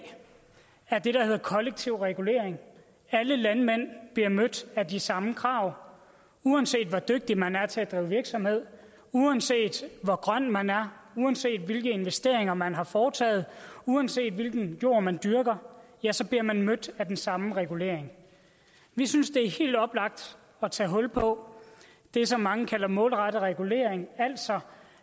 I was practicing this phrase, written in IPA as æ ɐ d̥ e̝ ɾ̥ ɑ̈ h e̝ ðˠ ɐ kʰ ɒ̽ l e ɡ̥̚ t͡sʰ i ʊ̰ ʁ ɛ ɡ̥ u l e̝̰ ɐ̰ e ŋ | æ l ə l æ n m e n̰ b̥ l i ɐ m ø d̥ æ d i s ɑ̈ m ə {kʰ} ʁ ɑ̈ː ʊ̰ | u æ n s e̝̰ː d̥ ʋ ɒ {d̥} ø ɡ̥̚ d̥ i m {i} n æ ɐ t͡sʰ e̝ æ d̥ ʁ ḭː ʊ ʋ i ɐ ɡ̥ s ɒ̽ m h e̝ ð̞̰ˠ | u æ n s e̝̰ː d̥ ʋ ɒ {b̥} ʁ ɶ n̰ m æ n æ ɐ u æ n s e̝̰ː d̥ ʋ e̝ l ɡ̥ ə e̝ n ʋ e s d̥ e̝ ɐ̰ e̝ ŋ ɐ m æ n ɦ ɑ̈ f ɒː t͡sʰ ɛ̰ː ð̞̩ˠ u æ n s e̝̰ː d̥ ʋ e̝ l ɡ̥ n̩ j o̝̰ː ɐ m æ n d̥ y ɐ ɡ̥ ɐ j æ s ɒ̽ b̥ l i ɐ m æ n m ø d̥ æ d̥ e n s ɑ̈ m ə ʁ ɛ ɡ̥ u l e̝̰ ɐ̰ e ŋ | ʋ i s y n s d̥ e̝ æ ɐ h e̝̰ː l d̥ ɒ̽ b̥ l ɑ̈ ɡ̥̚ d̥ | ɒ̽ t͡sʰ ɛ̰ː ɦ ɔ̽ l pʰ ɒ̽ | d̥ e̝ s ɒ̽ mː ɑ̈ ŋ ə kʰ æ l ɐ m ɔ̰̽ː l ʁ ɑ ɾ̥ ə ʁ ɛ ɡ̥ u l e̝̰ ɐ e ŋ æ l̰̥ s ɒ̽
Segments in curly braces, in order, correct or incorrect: correct, correct, incorrect: æ, incorrect: ɡ̥

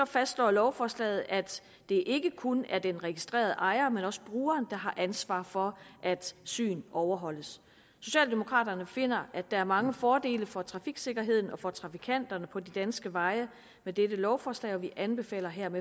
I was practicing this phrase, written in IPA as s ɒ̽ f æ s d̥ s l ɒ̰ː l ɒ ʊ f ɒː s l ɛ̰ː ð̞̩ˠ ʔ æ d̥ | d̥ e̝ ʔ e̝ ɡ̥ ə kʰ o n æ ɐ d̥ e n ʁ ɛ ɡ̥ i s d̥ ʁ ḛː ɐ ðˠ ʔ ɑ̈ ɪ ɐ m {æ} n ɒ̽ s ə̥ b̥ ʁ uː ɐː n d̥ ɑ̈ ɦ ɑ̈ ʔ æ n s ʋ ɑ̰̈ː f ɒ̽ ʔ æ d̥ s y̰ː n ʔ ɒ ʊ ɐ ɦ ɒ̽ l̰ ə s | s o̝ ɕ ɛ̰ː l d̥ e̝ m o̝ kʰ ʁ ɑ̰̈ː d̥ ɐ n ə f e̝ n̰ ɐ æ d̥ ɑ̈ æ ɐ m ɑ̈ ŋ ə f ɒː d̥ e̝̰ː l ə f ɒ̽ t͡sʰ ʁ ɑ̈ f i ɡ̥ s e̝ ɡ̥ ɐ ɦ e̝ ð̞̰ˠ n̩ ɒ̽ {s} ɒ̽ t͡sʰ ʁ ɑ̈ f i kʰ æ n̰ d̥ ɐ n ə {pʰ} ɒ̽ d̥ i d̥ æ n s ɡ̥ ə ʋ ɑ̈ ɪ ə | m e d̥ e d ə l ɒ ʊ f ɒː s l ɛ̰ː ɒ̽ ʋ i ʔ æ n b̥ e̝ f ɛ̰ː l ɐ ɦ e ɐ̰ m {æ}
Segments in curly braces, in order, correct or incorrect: incorrect: e, incorrect: f, correct, incorrect: e

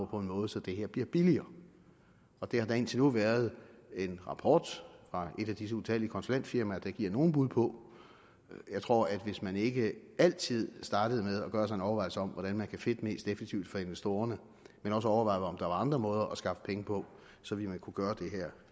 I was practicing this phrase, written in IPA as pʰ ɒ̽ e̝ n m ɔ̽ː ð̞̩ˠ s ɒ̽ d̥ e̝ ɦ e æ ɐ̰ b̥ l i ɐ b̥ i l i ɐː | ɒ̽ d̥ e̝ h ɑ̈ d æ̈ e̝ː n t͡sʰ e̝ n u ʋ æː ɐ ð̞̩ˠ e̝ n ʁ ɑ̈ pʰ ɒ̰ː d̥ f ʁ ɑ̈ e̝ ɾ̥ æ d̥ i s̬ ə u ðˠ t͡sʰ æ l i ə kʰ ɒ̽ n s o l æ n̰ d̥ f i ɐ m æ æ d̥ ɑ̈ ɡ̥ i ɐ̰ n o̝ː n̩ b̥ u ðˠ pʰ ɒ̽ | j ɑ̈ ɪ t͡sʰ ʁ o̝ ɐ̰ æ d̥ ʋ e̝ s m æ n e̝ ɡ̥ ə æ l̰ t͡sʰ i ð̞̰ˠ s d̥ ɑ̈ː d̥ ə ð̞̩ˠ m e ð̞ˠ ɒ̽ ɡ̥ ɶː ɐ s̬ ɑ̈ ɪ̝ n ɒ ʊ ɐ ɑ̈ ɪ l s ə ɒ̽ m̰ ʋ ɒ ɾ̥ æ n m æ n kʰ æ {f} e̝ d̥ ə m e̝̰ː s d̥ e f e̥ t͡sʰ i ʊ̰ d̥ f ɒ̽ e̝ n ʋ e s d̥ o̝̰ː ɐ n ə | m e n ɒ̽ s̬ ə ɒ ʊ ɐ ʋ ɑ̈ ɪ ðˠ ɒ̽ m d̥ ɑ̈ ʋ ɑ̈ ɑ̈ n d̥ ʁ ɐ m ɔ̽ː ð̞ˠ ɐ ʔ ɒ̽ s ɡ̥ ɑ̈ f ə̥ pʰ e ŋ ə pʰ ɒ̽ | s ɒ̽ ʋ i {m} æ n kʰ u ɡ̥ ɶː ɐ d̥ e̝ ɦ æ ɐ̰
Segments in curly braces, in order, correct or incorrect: correct, correct

